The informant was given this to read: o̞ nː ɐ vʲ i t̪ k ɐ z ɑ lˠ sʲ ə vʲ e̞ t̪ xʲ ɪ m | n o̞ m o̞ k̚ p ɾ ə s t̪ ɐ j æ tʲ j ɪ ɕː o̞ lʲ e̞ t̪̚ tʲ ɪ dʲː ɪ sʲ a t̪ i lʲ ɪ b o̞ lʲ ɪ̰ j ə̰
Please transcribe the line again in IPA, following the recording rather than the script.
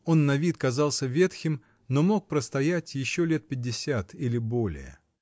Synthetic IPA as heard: o̞ nː ɐ vʲ i t̪ k ɐ z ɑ lˠ sʲ ə vʲ e̞ t̪ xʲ ɪ m | n o̞ m o̞ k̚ p ɾ ə s t̪ ɐ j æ tʲ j ɪ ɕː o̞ lʲ e̞ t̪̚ pʲ ɪ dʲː ɪ sʲ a t̪ i lʲ ɪ b o̞ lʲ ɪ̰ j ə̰